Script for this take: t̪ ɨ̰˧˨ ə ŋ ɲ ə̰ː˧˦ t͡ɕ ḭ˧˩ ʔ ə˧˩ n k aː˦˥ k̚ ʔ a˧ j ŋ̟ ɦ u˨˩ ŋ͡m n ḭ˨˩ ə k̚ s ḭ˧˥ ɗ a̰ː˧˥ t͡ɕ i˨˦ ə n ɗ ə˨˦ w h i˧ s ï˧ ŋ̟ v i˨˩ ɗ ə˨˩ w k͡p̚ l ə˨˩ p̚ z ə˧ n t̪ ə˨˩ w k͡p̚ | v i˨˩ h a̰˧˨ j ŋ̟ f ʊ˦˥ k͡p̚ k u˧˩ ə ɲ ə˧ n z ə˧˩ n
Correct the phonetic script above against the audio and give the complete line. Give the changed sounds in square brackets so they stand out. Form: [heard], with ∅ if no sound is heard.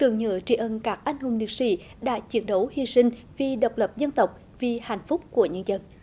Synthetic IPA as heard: t̪ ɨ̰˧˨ ə ŋ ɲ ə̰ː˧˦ t͡ɕ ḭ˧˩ ʔ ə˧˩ n k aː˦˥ k̚ ʔ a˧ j ŋ̟ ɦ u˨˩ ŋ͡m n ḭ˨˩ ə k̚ s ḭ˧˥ ɗ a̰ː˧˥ t͡ɕ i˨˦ ə n ɗ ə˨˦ w h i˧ s ï˧ ŋ̟ v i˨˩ ɗ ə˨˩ w k͡p̚ l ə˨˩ p̚ z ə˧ n t̪ ə˨˩ w k͡p̚ | v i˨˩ h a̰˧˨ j ŋ̟ f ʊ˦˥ k͡p̚ k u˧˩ ə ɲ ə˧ n z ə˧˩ n